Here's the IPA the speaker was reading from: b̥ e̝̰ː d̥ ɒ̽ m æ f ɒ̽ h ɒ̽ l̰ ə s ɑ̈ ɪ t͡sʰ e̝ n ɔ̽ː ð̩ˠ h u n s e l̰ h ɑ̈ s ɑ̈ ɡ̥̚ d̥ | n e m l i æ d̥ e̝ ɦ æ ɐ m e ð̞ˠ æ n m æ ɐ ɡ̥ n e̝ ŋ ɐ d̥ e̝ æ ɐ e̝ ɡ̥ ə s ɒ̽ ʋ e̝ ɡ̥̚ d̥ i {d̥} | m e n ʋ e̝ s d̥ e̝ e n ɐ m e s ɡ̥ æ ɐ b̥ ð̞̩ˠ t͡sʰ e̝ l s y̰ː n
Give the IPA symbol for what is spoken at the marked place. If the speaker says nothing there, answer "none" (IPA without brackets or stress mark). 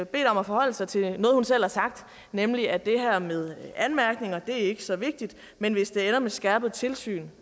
d̥